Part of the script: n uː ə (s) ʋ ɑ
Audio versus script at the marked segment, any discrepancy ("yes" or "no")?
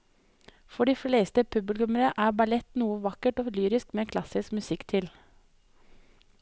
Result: yes